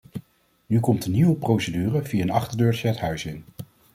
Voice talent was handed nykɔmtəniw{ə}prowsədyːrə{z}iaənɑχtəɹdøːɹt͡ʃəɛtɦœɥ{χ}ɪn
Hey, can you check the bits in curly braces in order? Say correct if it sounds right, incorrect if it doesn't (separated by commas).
correct, incorrect, incorrect